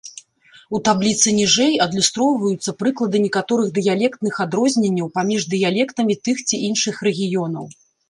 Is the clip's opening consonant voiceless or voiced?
voiceless